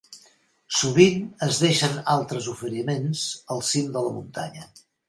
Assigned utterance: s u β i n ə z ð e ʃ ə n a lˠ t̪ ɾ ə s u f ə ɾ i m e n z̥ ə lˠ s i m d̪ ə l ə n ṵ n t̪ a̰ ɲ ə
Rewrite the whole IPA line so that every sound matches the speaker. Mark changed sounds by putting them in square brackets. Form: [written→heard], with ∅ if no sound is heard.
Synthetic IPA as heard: s u β i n ə z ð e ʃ ə n a lˠ t̪ ɾ ə [s→z] u f ə ɾ i m e n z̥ ə lˠ s i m d̪ ə l ə [n→m] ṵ n t̪ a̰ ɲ ə